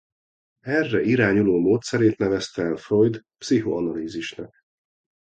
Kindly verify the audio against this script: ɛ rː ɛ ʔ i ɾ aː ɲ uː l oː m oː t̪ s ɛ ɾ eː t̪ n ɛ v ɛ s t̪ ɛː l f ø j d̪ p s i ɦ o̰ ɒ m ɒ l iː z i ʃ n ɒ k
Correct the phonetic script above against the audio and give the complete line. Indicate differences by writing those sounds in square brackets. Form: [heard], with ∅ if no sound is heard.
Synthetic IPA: ɛ rː ɛ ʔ i ɾ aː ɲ [u] l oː m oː t̪ s ɛ ɾ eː t̪ n ɛ v ɛ s t̪ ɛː l f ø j d̪ p s i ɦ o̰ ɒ [n] ɒ l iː z i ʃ n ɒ k